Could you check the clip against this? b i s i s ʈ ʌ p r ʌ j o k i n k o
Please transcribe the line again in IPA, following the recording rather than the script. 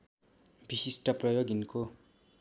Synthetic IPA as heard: b i s i s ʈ ʌ p r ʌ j o ɡ i n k o